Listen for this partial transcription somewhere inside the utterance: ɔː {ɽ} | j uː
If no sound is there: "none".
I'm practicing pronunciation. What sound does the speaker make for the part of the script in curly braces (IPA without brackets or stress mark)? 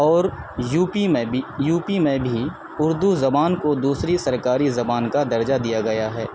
ɾ